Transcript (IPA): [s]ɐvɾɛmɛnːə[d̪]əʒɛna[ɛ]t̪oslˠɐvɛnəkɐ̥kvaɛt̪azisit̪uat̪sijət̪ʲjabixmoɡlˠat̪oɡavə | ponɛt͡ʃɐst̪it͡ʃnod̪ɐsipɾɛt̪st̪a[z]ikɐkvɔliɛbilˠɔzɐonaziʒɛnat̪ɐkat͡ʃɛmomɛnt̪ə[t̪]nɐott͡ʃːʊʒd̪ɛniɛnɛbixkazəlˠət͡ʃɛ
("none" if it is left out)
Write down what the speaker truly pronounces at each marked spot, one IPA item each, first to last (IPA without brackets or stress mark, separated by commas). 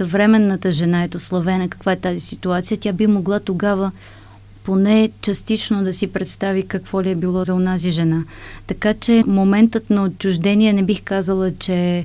s, t̪, ɛ, v, t̪